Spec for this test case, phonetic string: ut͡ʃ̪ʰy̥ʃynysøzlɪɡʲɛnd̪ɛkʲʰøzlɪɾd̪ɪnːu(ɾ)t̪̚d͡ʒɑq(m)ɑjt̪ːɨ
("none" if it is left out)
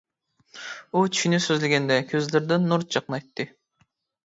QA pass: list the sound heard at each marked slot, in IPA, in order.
ɾ, n

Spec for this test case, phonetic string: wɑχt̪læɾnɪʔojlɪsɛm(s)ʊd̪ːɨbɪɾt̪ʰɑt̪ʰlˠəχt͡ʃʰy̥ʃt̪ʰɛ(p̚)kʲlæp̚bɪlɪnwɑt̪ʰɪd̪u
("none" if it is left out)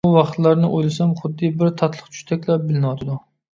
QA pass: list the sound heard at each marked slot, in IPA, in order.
χ, none

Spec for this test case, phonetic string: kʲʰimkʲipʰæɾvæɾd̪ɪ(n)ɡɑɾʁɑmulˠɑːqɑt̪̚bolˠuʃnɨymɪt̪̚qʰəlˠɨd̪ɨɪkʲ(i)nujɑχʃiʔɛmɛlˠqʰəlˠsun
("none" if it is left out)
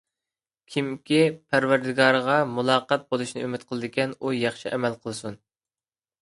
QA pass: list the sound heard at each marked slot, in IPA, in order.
none, ɛ

